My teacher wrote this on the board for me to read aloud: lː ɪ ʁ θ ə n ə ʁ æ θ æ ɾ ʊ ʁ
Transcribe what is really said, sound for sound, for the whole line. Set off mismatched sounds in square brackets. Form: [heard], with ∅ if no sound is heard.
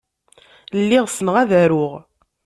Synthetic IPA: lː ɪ ʁ [s] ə n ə ʁ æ [ð] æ ɾ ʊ ʁ